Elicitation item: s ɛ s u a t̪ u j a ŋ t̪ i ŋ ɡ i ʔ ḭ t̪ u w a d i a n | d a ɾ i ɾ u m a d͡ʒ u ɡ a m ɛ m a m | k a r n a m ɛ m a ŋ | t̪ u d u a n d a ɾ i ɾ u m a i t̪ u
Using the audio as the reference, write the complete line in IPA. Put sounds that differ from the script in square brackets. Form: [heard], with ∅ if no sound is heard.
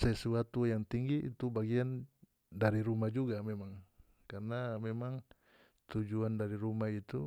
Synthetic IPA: s ɛ s u a t̪ u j a ŋ t̪ i ŋ ɡ i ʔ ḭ t̪ u [b] a [ɡ] i a n | d a ɾ i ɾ u m a d͡ʒ u ɡ a m ɛ m a [ŋ] | k a r n a m ɛ m a ŋ | t̪ u [d͡ʒ] u a n d a ɾ i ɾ u m a i t̪ u